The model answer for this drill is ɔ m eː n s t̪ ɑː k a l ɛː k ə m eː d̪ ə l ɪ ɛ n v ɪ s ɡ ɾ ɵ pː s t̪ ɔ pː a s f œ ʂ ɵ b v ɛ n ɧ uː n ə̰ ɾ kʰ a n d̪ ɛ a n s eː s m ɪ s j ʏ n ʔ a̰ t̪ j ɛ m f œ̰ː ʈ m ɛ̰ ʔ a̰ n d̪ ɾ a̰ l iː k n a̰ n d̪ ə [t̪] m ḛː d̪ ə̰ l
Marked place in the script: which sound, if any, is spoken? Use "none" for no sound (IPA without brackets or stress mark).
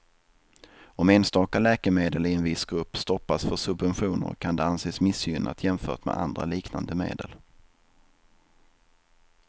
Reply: none